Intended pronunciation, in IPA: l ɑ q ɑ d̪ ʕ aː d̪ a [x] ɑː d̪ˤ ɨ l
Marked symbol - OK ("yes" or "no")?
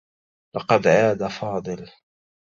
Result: no